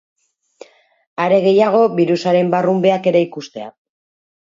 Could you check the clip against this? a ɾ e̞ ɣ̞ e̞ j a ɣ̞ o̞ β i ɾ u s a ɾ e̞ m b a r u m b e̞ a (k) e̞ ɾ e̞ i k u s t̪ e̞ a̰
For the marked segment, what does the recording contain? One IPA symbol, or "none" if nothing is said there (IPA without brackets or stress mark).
k